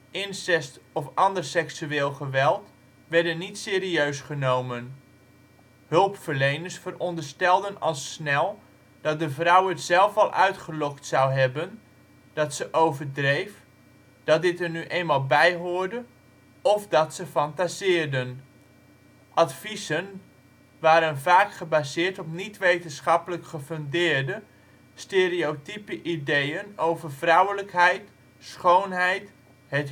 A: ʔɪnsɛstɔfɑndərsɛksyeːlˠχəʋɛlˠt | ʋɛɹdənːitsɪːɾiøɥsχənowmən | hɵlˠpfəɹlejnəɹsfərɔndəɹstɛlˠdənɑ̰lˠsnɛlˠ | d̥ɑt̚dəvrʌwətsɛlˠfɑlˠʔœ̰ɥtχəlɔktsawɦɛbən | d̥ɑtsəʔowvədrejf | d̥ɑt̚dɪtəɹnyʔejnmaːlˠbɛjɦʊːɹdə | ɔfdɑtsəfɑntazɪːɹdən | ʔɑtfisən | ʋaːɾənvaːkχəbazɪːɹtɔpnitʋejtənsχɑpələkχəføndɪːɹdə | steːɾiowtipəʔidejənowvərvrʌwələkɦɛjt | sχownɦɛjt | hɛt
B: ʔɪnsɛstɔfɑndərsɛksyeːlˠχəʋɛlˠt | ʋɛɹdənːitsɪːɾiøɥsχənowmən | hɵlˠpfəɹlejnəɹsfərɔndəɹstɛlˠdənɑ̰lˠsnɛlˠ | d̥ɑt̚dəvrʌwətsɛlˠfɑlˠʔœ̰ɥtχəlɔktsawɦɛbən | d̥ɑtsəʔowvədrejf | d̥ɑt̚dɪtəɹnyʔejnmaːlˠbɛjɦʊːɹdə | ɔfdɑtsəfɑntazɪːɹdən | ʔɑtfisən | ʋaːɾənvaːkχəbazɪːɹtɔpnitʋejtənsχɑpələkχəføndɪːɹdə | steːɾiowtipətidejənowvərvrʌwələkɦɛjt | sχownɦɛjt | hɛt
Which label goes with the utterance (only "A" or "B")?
A